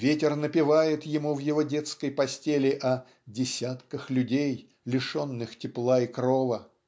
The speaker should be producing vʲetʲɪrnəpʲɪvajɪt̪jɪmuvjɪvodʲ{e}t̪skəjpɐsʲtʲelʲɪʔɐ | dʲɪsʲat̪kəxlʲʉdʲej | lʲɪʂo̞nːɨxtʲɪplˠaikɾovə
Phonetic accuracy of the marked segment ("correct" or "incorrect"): correct